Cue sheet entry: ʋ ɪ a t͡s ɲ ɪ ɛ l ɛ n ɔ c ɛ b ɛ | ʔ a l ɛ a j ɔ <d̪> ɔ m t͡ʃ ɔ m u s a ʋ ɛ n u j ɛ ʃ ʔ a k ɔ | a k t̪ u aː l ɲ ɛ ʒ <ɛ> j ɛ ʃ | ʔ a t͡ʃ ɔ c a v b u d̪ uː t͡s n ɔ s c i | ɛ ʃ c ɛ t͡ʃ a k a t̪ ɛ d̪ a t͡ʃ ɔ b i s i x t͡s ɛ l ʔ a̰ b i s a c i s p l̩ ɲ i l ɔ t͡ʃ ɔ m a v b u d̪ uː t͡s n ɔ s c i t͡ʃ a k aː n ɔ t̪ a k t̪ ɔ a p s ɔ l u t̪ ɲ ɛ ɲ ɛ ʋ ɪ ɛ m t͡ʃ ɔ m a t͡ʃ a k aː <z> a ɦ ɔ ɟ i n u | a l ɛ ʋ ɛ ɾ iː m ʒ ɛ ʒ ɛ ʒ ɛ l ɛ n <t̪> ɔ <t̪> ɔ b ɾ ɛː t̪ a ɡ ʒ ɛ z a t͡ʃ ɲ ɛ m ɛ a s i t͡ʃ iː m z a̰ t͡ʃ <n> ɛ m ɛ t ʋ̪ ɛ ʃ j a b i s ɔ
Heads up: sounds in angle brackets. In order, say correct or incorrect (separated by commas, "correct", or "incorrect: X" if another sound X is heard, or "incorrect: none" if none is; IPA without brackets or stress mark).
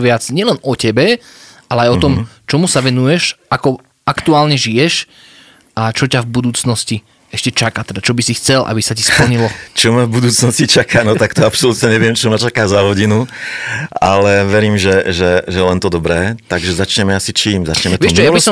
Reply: incorrect: t̪, incorrect: i, correct, correct, incorrect: d̪, incorrect: ɲ